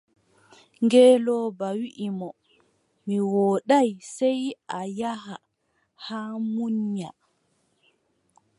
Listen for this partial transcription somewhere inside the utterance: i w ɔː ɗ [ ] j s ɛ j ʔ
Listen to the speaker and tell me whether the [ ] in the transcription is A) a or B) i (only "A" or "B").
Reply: A